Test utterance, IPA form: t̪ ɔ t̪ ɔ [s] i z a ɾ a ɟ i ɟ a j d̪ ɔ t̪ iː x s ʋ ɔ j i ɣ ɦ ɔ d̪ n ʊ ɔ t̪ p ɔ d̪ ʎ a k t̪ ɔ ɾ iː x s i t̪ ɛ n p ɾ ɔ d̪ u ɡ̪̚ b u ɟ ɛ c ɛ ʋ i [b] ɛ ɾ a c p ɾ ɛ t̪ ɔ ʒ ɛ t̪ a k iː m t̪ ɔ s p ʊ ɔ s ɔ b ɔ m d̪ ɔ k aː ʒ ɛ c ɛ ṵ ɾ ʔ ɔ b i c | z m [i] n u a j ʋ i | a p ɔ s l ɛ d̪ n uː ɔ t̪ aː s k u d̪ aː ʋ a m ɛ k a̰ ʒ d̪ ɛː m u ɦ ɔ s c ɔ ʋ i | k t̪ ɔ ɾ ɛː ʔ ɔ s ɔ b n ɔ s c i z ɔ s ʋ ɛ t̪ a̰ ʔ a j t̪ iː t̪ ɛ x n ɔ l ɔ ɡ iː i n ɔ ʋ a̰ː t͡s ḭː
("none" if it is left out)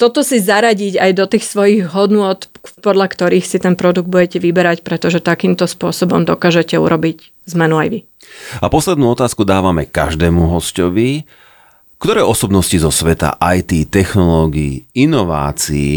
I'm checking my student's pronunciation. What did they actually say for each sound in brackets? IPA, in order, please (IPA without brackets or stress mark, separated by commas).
s, b, ɛ